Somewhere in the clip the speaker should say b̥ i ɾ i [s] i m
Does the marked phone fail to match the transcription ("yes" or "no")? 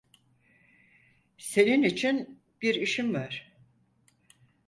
yes